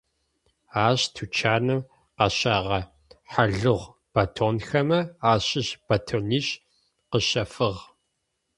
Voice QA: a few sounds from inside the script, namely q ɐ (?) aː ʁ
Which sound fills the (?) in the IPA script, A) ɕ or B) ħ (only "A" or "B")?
A